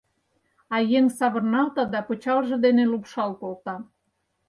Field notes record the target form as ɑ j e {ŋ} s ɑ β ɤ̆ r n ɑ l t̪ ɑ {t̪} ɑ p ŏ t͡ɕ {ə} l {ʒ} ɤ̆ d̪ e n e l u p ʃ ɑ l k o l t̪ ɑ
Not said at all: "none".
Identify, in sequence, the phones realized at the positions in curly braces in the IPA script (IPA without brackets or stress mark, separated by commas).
ŋ, d̪, ɑ, ʒ